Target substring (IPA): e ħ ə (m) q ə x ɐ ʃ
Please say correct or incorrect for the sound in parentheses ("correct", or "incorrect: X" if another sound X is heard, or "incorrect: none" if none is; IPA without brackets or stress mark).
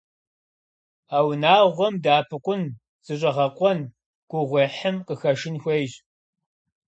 correct